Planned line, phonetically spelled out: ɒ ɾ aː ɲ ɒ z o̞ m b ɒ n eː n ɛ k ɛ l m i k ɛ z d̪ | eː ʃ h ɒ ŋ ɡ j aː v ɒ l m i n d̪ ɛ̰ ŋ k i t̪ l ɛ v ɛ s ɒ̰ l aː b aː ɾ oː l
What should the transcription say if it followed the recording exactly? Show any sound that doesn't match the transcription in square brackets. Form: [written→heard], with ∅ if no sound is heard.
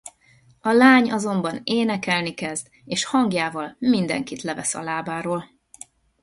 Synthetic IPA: ɒ [ɾ→l] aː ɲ ɒ z o̞ m b ɒ n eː n ɛ k ɛ l [m→n] i k ɛ z d̪ | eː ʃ h ɒ ŋ ɡ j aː v ɒ l m i n d̪ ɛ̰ ŋ k i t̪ l ɛ v ɛ s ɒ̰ l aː b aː ɾ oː l